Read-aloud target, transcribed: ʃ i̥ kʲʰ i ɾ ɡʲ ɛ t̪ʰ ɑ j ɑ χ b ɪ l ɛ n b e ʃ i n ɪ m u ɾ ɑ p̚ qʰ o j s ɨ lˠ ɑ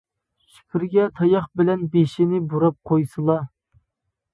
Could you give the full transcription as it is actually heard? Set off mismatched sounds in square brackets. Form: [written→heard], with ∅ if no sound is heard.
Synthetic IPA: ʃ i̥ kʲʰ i ɾ ɡʲ ɛ t̪ʰ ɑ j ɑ χ b ɪ l ɛ n b e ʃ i n ɪ [m→b] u ɾ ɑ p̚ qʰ o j s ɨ lˠ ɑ